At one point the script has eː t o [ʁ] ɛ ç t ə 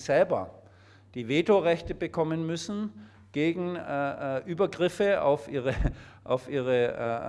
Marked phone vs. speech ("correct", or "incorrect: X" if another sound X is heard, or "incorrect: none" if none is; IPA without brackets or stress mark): correct